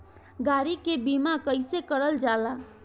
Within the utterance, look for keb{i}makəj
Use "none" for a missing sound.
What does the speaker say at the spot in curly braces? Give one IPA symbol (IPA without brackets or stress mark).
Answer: i